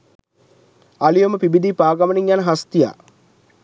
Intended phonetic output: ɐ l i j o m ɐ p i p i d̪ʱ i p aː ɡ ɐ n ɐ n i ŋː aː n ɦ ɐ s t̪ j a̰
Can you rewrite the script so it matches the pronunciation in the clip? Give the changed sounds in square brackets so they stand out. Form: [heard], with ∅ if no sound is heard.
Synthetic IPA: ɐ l i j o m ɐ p i [b] i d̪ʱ i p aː ɡ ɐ [m] ɐ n i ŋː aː n ɦ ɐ s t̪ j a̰